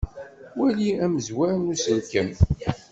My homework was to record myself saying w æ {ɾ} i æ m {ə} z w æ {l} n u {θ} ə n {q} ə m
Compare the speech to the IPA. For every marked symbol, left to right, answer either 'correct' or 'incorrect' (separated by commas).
incorrect, correct, incorrect, incorrect, incorrect